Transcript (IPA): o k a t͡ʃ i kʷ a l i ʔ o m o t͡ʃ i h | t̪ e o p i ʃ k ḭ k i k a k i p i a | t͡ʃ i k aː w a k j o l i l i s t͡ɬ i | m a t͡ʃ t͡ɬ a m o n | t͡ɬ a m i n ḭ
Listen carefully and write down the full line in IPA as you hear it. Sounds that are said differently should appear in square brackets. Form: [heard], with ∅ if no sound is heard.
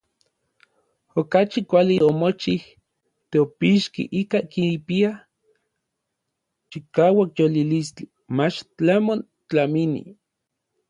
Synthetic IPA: o k a t͡ʃ i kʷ a l i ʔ o m o t͡ʃ i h | t̪ e o p i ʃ k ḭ [ʔ] i k a k i p i a | t͡ʃ i k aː w a k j o l i l i s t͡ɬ i | m a t͡ʃ t͡ɬ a m o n | t͡ɬ a m i n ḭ